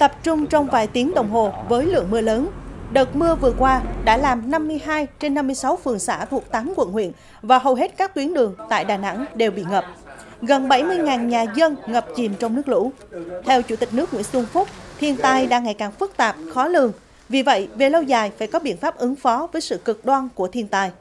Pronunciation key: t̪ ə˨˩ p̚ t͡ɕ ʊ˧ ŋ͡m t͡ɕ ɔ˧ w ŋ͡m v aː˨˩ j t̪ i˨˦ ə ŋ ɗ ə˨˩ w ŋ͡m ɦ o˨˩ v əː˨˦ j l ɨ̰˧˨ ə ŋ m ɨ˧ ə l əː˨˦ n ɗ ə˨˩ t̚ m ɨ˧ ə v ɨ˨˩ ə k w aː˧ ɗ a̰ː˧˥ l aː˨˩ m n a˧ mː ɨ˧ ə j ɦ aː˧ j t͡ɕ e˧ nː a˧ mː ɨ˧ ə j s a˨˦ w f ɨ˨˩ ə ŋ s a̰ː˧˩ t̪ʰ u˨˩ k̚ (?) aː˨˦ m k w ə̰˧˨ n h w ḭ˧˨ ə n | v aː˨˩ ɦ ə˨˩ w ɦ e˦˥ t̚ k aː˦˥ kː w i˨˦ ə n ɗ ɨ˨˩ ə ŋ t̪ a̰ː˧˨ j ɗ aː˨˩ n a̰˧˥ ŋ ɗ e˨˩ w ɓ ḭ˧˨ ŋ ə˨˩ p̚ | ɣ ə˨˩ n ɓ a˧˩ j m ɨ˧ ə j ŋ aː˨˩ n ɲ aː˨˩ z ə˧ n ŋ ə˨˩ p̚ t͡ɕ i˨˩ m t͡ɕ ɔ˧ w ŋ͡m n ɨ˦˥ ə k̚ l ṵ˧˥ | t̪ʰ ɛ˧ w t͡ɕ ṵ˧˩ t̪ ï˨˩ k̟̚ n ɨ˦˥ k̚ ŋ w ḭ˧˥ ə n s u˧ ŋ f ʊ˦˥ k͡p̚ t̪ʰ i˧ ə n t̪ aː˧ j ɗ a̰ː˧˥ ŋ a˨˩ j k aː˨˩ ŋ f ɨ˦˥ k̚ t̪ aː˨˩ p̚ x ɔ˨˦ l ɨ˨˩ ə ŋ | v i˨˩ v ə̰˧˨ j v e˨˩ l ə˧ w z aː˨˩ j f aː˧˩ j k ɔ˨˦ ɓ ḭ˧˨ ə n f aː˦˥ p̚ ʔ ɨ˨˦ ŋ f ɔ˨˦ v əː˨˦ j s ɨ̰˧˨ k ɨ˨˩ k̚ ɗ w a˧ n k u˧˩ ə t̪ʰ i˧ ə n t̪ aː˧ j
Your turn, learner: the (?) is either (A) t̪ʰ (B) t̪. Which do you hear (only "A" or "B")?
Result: B